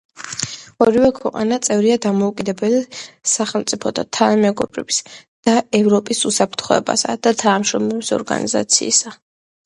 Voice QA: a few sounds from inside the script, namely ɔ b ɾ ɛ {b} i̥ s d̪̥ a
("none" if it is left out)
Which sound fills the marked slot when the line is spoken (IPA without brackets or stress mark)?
b